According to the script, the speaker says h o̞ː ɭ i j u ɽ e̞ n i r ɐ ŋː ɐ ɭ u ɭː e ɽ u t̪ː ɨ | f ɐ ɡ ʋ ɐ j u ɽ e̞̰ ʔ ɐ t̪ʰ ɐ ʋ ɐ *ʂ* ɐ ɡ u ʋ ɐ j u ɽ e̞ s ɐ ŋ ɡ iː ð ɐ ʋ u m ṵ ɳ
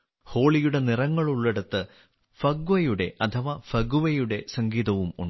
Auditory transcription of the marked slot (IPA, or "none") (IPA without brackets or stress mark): f